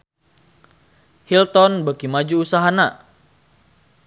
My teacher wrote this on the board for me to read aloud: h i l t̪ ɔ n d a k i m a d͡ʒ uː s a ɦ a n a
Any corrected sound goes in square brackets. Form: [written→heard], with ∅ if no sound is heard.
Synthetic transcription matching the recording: h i l t̪ ɔ n [d→b] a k i m a d͡ʒ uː s a ɦ a n a